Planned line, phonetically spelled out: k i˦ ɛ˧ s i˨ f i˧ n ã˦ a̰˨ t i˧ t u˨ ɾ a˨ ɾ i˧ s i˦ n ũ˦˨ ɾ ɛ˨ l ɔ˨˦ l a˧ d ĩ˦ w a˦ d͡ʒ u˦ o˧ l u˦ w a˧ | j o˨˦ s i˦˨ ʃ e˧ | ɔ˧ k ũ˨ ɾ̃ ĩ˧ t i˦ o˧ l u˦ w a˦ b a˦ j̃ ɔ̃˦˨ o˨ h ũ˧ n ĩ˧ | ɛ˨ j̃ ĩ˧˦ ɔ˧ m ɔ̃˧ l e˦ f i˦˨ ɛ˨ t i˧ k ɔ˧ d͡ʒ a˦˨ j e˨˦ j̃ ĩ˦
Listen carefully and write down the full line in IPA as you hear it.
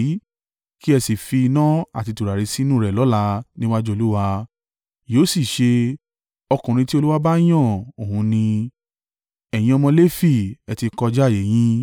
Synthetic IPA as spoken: k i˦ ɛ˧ s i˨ f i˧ n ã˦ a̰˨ t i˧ t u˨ ɾ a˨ ɾ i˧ s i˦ n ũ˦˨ ɾ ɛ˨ l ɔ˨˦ l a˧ n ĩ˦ w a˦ d͡ʒ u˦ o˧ l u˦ w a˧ | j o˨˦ s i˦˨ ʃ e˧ | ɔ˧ k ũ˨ ɾ̃ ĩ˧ t i˦ o˧ l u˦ w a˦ b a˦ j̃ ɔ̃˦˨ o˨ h ũ˧ n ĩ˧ | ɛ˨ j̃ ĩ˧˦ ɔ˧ m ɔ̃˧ l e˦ f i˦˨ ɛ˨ t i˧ k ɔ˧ d͡ʒ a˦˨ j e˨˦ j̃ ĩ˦